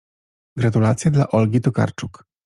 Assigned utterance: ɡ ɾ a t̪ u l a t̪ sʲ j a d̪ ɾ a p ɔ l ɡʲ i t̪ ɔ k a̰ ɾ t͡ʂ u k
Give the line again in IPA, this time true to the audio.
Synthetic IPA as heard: ɡ ɾ a t̪ u l a t̪ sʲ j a d̪ l a ʔ ɔ l ɡʲ i t̪ ɔ k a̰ ɾ t͡ʂ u k